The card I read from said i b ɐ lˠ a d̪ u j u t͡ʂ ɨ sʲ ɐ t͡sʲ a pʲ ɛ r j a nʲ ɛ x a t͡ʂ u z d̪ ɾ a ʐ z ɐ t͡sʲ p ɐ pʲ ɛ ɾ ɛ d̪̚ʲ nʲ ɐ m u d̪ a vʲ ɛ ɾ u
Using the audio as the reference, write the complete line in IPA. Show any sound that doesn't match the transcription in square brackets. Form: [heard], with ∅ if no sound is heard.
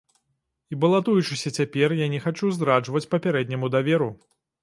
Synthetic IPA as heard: i b ɐ lˠ a [t̪] u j u t͡ʂ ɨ sʲ ɐ t͡sʲ a pʲ ɛ r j a nʲ ɛ x a t͡ʂ u z d̪ ɾ a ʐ [v] ɐ t͡sʲ p ɐ pʲ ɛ ɾ ɛ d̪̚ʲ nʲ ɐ m u d̪ a vʲ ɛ ɾ u